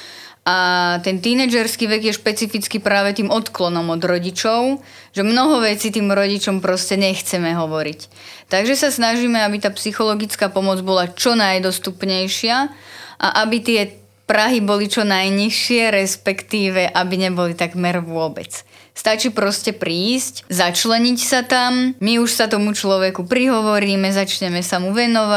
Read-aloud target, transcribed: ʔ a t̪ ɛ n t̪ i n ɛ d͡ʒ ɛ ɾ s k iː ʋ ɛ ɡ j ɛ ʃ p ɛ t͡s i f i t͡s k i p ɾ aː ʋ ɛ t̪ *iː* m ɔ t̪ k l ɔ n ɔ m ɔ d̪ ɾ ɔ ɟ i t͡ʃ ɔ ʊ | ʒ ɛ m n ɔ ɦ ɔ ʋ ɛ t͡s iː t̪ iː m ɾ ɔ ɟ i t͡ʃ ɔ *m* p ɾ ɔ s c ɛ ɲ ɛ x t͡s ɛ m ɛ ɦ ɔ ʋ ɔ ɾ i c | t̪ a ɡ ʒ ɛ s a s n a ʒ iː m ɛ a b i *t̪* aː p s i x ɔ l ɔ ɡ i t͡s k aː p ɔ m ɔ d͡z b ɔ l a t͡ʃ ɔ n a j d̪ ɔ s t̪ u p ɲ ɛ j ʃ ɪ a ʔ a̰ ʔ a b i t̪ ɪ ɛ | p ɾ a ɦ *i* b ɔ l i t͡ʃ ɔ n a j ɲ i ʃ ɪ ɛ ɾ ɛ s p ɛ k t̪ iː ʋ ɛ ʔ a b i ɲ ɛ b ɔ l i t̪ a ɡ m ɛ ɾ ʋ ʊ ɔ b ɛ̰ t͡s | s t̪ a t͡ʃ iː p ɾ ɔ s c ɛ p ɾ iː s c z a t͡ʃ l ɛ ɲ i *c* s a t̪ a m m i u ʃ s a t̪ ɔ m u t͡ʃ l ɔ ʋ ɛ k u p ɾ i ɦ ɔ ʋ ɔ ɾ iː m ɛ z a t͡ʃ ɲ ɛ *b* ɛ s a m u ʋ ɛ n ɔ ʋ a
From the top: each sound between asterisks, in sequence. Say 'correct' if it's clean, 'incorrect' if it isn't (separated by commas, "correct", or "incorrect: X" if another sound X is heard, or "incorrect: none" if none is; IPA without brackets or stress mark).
correct, correct, correct, correct, correct, incorrect: m